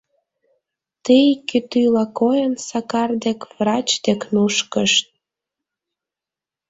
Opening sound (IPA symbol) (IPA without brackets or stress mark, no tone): t̪